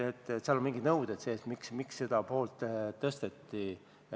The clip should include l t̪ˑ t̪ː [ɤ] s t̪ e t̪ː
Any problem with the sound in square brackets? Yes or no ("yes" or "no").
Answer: no